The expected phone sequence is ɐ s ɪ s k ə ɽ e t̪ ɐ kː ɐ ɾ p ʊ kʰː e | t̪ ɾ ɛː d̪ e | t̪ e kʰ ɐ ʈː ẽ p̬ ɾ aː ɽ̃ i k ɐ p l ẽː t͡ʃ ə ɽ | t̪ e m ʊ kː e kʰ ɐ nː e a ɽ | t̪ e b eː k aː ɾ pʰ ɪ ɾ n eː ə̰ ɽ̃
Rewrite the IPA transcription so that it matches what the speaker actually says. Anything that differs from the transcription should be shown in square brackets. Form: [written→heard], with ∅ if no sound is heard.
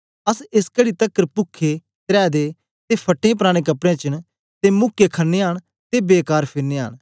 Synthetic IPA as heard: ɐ s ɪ s k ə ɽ [e→i] t̪ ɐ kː [ɐ→ə] ɾ p ʊ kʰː e | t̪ ɾ ɛː d̪ e | t̪ e [kʰ→pʰ] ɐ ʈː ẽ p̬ ɾ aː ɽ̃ [i→e] k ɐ p [l→ɽ] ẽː t͡ʃ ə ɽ | t̪ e m ʊ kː e kʰ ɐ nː e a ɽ | t̪ e b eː k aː ɾ pʰ ɪ ɾ n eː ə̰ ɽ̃